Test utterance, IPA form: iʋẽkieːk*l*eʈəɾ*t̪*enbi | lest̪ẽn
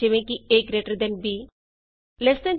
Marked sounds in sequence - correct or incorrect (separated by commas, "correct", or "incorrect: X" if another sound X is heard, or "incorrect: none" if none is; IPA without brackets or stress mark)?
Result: incorrect: ɾ, incorrect: d̪